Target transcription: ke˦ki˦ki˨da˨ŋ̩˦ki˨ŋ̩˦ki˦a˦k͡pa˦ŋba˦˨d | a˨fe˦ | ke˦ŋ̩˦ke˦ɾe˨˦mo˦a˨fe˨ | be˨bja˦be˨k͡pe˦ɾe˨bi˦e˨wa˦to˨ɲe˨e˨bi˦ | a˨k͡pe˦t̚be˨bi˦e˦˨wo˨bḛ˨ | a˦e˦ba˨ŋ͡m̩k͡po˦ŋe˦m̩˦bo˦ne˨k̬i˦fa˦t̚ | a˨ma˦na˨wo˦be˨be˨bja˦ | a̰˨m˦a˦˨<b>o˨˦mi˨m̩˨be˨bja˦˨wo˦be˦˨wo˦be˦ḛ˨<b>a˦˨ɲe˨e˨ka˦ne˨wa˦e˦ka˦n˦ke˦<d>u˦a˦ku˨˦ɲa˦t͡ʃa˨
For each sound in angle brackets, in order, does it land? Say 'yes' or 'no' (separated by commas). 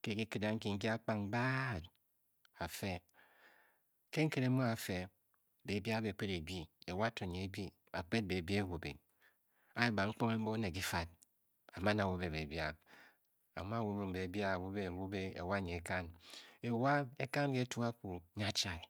no, no, no